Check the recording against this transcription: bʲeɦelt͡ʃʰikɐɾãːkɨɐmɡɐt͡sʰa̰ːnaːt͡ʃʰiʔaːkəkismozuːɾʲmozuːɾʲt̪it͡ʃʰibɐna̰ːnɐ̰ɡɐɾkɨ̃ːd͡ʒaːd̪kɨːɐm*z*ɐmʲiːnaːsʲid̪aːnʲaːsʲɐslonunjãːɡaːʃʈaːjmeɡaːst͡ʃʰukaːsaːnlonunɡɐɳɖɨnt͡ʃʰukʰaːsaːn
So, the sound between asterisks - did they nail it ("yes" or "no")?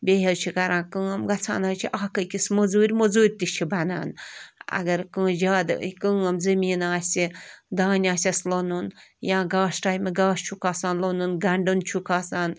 yes